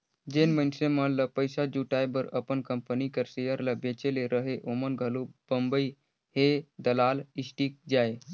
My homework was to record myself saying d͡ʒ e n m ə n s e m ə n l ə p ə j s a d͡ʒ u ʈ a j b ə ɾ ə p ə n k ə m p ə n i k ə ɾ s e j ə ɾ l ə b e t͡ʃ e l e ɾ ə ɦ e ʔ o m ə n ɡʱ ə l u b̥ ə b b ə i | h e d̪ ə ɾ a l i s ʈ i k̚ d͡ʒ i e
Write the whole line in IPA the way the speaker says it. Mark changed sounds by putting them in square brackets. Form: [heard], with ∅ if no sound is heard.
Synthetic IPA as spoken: d͡ʒ e n m ə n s e m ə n l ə p ə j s a d͡ʒ u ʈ a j b ə ɾ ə p ə n k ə m p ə n i k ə ɾ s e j ə ɾ l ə b e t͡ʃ e l e ɾ ə ɦ e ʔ o m ə n ɡʱ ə l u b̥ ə [m] b ə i | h e d̪ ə [l] a l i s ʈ i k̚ d͡ʒ [a] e